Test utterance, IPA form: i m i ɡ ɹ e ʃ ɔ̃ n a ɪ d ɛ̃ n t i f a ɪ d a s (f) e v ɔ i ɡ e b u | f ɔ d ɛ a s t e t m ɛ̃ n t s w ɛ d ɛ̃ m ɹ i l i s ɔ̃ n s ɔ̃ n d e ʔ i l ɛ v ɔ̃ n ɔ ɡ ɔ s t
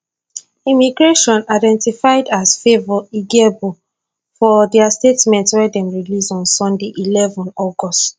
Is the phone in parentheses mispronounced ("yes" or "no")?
no